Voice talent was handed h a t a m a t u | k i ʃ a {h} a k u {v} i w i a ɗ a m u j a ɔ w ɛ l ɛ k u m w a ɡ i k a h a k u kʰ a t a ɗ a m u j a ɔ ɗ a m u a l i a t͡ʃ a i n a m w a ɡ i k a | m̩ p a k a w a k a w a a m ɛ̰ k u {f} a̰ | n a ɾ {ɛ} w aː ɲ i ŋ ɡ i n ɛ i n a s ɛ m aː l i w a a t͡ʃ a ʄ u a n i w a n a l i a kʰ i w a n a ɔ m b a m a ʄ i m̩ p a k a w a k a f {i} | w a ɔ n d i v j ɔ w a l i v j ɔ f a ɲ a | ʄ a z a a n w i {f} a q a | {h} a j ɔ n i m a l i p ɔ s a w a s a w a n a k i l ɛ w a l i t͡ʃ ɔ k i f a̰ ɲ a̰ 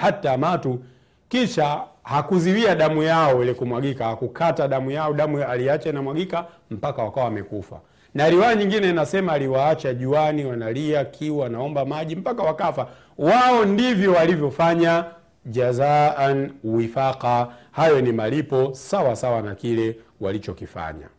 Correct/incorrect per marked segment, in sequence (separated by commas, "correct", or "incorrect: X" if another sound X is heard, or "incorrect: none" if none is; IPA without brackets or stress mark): correct, incorrect: z, correct, incorrect: i, incorrect: a, correct, correct